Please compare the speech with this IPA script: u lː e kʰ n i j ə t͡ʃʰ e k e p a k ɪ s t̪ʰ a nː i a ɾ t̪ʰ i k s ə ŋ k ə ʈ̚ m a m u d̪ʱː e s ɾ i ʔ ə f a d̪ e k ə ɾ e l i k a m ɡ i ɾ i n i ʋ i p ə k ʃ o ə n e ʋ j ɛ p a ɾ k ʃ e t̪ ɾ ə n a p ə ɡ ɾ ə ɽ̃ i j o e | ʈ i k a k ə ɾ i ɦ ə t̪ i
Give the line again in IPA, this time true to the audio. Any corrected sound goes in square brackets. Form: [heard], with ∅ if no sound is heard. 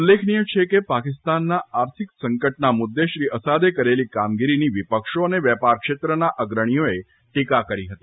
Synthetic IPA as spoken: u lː e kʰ n i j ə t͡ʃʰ e k e p a k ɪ s [t̪] a nː [a] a ɾ t̪ʰ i k s ə ŋ k ə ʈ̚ [n] a m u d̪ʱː e [ʃ] ɾ i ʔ ə [s] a d̪ e k ə ɾ e l i k a m ɡ i ɾ i n i ʋ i p ə k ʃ o ə n e ʋ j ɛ p a ɾ k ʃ e t̪ ɾ ə n a [ʔ] ə ɡ ɾ ə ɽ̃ i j o e | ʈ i k a k ə ɾ i ɦ ə t̪ i